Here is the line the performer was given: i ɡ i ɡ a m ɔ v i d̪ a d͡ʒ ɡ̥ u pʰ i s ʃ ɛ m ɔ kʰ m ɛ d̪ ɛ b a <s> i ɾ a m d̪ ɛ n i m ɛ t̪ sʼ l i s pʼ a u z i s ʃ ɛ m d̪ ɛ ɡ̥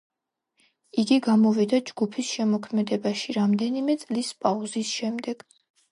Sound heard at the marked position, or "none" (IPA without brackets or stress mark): ʃ